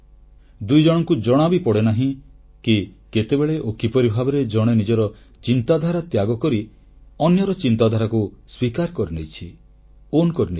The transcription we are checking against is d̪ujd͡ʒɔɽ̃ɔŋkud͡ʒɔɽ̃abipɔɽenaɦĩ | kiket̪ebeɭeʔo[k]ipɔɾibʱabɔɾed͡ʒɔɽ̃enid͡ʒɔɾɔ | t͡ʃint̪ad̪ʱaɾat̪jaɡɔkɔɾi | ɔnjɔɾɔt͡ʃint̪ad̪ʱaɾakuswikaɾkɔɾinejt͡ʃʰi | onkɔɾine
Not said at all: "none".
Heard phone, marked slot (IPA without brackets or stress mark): k